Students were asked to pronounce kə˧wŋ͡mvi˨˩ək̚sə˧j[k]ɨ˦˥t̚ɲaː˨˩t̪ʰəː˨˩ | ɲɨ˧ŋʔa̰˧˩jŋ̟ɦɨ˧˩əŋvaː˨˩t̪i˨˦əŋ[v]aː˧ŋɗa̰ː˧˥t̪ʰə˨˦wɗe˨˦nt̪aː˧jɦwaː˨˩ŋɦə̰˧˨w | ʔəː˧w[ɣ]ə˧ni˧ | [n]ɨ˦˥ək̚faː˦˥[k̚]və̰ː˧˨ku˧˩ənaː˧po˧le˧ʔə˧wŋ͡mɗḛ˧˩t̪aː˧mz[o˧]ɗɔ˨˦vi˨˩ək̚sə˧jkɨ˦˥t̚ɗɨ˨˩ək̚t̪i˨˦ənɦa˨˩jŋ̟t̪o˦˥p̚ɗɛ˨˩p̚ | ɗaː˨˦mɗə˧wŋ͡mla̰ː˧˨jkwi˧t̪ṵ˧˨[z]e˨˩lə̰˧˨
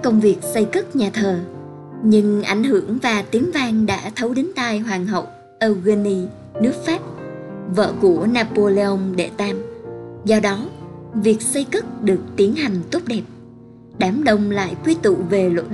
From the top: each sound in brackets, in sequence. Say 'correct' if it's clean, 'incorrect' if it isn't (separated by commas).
correct, correct, correct, correct, incorrect, incorrect, incorrect